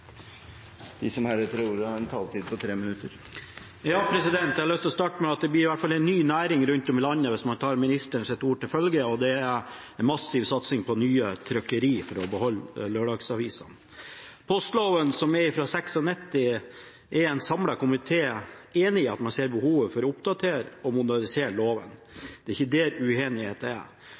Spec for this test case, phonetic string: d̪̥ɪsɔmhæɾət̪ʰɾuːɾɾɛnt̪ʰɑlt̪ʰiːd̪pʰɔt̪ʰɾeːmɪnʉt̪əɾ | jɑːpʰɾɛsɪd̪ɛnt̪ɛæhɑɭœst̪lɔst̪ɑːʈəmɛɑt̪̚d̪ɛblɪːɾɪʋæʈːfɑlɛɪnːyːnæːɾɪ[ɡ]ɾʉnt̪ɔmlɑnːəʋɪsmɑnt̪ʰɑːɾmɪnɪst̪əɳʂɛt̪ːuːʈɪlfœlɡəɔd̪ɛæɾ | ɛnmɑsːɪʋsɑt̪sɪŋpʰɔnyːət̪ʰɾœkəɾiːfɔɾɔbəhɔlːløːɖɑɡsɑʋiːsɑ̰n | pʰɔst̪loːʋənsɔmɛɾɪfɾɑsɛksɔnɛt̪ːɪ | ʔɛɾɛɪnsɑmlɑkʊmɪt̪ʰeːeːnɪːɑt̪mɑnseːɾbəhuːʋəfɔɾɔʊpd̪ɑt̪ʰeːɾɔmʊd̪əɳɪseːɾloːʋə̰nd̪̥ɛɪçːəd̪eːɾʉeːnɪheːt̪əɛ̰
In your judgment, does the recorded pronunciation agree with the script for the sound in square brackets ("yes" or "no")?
no